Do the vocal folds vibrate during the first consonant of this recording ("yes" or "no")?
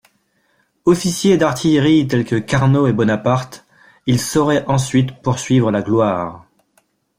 no